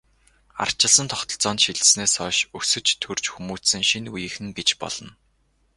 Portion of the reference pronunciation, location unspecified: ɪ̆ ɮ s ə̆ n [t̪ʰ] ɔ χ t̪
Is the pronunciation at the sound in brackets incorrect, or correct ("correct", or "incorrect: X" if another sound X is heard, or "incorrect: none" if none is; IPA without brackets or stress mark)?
correct